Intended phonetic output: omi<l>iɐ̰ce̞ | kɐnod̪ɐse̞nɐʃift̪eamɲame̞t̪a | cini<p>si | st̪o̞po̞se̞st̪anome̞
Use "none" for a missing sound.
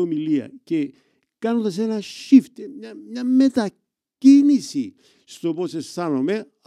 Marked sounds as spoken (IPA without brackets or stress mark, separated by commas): l, none